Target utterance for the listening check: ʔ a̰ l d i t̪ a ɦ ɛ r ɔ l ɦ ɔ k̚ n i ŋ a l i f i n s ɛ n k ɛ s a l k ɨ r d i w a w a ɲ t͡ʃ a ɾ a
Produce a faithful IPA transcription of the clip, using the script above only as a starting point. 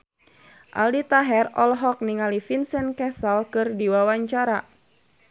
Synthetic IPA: ʔ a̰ l d i t̪ a ɦ ɛ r ɔ l ɦ ɔ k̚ n i ŋ a l i f i n s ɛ n k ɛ s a l k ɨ r d i w a w a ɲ t͡ʃ a ɾ a